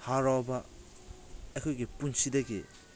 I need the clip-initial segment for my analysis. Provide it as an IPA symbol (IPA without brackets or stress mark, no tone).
h